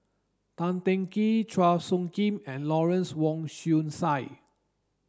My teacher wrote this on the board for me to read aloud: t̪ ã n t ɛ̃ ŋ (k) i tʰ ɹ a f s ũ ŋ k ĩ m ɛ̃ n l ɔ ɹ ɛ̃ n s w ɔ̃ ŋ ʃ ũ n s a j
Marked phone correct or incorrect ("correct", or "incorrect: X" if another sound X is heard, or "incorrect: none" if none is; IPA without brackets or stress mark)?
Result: correct